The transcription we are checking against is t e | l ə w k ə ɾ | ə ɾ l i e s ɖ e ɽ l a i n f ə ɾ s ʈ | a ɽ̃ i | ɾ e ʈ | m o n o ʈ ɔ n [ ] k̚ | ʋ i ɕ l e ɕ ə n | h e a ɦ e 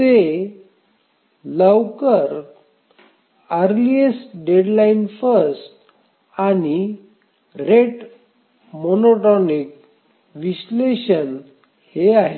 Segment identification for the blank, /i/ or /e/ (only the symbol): i